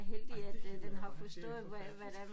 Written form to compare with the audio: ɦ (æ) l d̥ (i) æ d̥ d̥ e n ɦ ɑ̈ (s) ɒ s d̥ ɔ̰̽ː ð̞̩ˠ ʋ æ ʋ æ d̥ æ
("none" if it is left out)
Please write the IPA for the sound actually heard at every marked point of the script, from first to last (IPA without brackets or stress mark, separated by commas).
e, i, f